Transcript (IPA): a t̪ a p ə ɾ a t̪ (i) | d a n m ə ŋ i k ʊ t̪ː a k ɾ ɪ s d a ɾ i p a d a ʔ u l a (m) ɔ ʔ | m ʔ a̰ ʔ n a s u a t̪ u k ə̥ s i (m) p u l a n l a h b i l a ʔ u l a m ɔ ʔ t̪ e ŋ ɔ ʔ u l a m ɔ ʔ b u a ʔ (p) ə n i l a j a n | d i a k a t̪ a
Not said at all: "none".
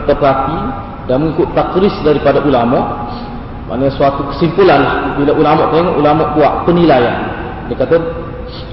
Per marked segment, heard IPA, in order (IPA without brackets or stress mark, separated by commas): i, m, m, p